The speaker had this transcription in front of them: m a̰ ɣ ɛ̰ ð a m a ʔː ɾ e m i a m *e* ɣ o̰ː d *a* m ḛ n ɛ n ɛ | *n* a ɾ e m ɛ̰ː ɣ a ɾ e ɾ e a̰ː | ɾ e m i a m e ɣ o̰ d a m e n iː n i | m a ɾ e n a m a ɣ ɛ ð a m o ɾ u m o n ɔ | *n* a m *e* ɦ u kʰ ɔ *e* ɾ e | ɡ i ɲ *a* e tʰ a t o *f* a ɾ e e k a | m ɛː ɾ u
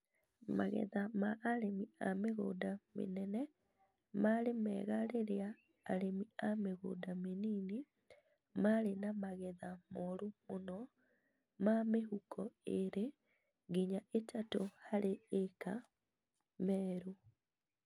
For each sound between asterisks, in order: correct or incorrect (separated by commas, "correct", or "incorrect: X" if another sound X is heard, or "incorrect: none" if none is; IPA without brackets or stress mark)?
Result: correct, correct, incorrect: m, incorrect: m, correct, correct, correct, incorrect: h